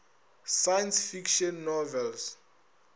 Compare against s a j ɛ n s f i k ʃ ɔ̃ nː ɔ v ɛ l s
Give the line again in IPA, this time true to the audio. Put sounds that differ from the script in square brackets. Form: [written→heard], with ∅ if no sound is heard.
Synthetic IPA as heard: s a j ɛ n s f i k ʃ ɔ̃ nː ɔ v ɛ l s